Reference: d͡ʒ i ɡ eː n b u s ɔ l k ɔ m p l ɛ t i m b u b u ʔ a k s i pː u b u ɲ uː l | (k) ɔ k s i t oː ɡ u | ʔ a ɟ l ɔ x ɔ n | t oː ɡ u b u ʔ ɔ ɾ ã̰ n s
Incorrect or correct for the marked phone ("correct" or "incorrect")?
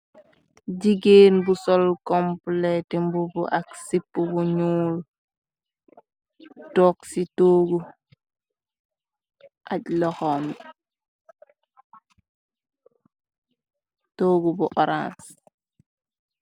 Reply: incorrect